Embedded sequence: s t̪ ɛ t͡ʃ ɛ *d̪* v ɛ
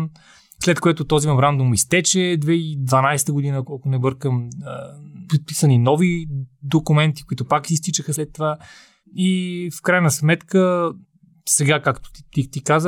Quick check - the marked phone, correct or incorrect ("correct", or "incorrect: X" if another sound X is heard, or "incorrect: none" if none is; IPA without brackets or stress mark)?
correct